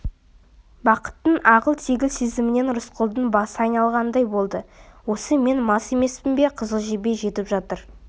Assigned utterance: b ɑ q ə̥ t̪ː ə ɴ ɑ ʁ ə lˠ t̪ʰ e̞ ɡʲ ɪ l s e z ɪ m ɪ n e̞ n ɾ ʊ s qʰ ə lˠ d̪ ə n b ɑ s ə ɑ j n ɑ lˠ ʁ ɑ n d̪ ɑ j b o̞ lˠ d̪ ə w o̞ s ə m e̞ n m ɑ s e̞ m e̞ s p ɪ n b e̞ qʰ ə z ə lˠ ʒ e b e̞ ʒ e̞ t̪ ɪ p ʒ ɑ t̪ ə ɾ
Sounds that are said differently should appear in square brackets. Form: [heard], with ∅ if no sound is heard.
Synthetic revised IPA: b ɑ q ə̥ t̪ː ə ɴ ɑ ʁ ə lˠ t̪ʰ e̞ ɡʲ ɪ l s e z ɪ m ɪ n e̞ n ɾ ʊ s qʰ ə lˠ d̪ ə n b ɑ s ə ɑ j n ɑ lˠ ʁ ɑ n d̪ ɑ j b o̞ lˠ d̪ ə w o̞ s ə m e̞ n m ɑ s e̞ m e̞ s p ɪ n b e̞ qʰ ə z ə lˠ ʒ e b e̞ ʒ e̞ t̪ ɪ p ʒ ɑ t̪ ə ɾ